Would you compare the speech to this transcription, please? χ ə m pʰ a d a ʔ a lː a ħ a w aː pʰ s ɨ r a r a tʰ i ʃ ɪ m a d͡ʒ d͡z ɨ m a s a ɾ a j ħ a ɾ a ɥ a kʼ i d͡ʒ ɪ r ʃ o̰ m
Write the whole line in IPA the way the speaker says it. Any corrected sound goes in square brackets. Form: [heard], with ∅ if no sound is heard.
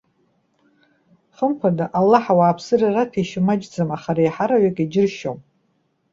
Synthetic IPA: χ ə m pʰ a d a ʔ a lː a ħ a w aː pʰ s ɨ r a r a tʰ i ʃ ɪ m a d͡ʒ d͡z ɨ m a [χ] a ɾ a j ħ a ɾ a ɥ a kʼ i d͡ʒ ɪ r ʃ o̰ m